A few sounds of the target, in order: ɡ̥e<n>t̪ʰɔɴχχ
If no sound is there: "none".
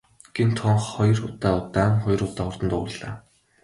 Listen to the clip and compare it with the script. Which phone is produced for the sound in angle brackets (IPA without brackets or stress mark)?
n